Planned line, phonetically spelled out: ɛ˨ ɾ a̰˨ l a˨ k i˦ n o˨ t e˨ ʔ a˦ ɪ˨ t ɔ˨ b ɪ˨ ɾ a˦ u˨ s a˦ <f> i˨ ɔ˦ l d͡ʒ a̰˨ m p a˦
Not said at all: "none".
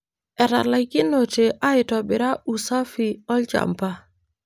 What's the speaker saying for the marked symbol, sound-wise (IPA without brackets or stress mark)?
f